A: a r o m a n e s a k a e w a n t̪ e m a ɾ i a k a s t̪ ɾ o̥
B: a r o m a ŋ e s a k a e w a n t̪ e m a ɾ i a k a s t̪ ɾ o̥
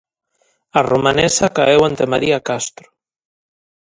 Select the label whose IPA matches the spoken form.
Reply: A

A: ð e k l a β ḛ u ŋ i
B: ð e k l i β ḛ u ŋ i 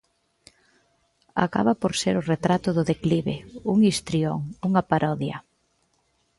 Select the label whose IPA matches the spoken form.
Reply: B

